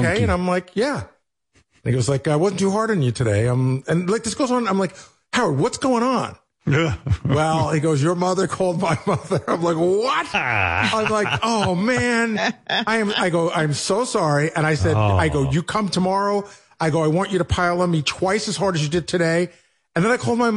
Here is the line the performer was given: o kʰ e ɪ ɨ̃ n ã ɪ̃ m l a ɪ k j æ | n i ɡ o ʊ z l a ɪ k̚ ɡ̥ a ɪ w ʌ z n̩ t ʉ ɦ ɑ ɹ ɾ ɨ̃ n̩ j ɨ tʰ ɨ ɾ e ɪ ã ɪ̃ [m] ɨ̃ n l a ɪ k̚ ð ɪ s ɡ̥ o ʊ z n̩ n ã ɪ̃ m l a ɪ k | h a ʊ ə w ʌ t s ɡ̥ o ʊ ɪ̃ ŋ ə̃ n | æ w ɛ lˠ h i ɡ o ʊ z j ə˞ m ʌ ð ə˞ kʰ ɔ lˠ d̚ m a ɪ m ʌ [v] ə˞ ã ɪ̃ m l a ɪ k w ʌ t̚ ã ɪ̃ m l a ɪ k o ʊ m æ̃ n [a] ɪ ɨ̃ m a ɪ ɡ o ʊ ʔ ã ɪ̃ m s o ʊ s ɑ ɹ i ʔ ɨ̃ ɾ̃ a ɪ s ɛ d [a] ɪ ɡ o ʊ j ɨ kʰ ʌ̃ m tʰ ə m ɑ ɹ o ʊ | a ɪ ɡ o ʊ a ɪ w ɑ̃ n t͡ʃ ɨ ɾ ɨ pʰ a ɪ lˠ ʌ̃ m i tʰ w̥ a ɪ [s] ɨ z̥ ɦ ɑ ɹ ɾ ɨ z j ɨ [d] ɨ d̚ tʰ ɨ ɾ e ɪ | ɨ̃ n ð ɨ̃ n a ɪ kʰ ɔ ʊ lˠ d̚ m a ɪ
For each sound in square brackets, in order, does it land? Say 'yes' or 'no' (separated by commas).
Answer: yes, no, yes, yes, yes, yes